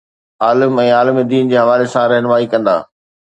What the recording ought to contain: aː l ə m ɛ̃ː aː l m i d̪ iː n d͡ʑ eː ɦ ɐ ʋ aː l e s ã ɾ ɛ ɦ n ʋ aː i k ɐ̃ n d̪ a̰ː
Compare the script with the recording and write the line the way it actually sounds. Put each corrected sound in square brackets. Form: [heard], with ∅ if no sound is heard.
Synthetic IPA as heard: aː l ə m ɛ̃ː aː l m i d̪ iː n d͡ʑ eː ɦ ɐ ʋ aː l e s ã ɾ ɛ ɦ n ʋ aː i k ɐ̃ n d̪ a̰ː